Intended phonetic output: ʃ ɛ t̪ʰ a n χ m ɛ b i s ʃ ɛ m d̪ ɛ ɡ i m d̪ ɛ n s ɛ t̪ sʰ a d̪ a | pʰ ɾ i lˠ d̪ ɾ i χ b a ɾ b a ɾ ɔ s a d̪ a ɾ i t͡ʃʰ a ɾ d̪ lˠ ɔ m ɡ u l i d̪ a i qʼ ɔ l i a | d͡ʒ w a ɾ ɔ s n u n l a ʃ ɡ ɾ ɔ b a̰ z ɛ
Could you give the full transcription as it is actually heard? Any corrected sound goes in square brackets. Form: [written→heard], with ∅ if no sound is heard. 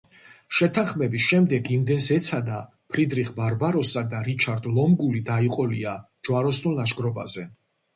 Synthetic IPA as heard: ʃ ɛ t̪ʰ a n χ m ɛ b i s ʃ ɛ m d̪ ɛ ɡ i m d̪ ɛ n s ɛ t̪ sʰ a d̪ a | pʰ ɾ i [lˠ→∅] d̪ ɾ i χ b a ɾ b a ɾ ɔ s a d̪ a ɾ i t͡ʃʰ a ɾ d̪ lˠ ɔ m ɡ u l i d̪ a i qʼ ɔ l i a | d͡ʒ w a ɾ ɔ s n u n l a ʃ ɡ ɾ ɔ b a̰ z ɛ